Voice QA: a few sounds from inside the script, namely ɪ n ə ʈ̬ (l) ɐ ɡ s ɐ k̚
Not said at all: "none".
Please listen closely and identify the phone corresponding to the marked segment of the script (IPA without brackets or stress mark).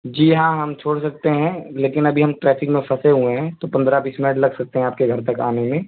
l